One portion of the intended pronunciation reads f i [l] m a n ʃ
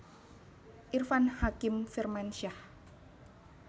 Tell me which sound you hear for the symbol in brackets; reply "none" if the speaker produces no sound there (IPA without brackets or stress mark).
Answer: r